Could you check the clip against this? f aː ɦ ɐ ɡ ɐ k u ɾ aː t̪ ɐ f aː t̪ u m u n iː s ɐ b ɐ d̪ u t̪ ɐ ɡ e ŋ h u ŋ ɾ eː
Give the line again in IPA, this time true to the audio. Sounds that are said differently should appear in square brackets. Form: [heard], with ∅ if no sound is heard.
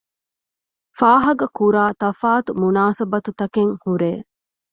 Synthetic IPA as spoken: f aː ɦ ɐ ɡ ɐ k u ɾ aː t̪ ɐ f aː t̪ u m u n [aː] s ɐ b ɐ [t̪] u t̪ ɐ [k] e ŋ h u [∅] ɾ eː